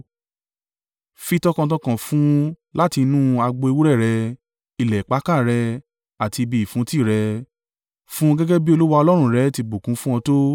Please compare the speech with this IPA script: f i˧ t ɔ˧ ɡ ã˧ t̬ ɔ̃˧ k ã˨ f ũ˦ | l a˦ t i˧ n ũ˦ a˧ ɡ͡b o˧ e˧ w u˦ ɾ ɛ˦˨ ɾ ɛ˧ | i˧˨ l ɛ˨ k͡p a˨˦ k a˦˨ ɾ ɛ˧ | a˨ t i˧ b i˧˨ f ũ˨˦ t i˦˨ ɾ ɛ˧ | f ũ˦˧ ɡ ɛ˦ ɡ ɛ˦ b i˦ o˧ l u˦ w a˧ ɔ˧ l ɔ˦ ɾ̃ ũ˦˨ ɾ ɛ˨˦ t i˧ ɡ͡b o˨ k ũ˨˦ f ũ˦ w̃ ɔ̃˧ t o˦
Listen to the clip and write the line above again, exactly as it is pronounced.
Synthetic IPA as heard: f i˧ t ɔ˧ k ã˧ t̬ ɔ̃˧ k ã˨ f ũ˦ | l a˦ t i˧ n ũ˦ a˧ ɡ͡b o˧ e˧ w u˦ ɾ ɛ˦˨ ɾ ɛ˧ | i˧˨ l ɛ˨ k͡p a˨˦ k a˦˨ ɾ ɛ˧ | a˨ t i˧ b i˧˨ f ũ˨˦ t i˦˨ ɾ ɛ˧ | f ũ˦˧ ɡ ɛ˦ ɡ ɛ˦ b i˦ o˧ l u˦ w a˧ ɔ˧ l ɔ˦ ɾ̃ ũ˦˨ ɾ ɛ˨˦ t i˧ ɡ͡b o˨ k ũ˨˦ f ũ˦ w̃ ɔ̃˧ t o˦